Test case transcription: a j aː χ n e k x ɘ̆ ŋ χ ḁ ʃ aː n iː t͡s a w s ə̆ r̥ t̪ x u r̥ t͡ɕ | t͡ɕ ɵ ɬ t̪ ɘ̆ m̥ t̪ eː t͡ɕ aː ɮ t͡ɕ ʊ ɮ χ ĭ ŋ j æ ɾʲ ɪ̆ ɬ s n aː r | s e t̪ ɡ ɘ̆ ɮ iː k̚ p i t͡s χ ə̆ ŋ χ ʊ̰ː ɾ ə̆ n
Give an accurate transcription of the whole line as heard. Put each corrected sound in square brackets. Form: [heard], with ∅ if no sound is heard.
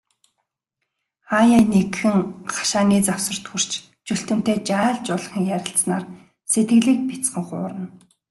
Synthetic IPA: a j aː [∅] n e k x ɘ̆ ŋ χ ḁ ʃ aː n iː t͡s a w s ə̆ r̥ t̪ x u r̥ t͡ɕ | t͡ɕ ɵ ɬ t̪ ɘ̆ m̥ t̪ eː t͡ɕ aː ɮ t͡ɕ ʊ ɮ χ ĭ ŋ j æ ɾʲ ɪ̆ ɬ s n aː r | s e t̪ ɡ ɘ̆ ɮ iː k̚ p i t͡s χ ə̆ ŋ χ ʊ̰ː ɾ ə̆ n